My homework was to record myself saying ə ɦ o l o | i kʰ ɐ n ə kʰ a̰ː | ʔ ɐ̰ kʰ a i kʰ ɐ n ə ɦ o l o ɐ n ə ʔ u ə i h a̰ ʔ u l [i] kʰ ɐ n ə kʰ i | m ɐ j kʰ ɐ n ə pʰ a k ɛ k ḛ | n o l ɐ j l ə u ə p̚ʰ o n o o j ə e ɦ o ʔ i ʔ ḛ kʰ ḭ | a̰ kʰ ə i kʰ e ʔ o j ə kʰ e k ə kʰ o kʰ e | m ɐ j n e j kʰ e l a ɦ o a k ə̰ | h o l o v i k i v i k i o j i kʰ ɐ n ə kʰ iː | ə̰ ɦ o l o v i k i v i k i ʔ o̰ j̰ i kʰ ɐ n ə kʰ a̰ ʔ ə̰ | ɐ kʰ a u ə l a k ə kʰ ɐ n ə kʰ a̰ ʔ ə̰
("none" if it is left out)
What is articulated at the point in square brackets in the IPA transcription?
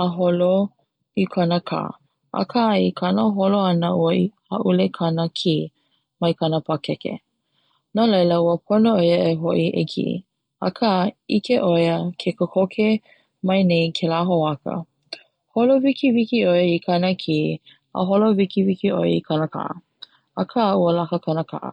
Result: e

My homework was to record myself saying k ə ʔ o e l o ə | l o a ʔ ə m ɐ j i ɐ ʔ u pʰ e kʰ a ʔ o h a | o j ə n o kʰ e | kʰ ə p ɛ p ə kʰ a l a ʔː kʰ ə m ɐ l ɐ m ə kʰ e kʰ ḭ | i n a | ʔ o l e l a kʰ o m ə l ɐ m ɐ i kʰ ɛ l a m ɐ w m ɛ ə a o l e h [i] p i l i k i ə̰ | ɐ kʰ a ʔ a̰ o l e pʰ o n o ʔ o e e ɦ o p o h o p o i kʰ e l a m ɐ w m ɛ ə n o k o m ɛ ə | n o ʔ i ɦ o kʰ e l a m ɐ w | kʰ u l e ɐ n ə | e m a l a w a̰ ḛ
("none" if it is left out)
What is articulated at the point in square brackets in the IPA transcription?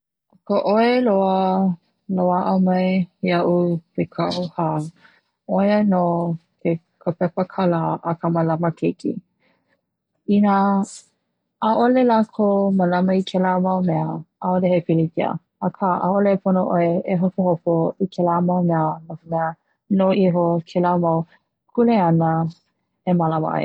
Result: e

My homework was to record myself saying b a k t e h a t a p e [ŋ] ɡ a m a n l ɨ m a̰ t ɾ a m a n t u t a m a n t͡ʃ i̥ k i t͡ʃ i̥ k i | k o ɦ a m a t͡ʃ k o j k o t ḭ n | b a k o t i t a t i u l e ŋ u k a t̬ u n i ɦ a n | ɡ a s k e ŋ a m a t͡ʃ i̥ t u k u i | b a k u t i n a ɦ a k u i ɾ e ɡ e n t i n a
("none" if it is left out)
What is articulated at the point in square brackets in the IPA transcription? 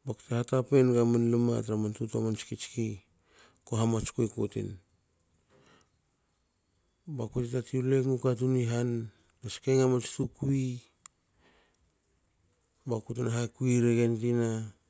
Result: n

